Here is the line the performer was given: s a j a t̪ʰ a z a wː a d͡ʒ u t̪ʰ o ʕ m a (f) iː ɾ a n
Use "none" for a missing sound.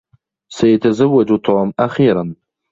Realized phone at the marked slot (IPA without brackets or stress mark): χ